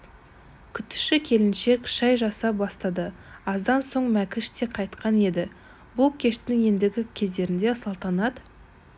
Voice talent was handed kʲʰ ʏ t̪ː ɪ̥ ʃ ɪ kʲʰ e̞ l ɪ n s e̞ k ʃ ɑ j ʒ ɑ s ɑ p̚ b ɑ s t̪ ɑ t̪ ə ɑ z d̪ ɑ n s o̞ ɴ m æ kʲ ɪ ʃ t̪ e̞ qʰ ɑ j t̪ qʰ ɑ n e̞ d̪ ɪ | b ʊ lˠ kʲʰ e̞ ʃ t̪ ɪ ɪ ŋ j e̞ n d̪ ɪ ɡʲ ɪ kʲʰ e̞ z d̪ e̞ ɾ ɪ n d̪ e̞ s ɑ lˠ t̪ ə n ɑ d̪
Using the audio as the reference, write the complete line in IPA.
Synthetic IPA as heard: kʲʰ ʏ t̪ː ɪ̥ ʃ ɪ kʲʰ e̞ l ɪ n ʃ e̞ k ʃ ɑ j ʒ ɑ s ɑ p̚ b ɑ s t̪ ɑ d̪ ə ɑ z d̪ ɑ n s o̞ ɴ m æ kʲ ɪ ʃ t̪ e̞ qʰ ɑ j t̪ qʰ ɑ n e̞ d̪ ɪ | b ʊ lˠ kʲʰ e̞ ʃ t̪ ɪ ɪ ŋ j e̞ n d̪ ɪ ɡʲ ɪ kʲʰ e̞ z d̪ e̞ ɾ ɪ n d̪ e̞ s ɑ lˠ t̪ ɑ n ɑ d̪